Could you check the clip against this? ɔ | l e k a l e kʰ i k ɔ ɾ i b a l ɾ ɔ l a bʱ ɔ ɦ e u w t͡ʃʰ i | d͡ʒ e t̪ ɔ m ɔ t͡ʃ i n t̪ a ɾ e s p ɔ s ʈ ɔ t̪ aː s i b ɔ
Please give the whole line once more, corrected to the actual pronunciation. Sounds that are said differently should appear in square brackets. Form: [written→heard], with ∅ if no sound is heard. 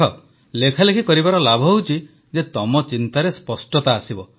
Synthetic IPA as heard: ɔ | l e [k→kʰ] a l e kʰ i k ɔ ɾ i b a [l→∅] ɾ ɔ l a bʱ ɔ ɦ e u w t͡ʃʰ i | d͡ʒ e t̪ ɔ m ɔ t͡ʃ i n t̪ a ɾ e s p ɔ s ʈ ɔ t̪ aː s i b ɔ